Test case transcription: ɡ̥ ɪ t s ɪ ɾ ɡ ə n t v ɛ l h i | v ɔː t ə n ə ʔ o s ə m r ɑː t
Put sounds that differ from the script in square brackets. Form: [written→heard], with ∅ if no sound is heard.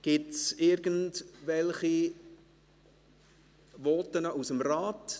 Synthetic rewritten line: ɡ̥ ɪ t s ɪ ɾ ɡ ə n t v ɛ l [h→χ] i | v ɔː t ə n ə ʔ [o→u] s ə m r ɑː t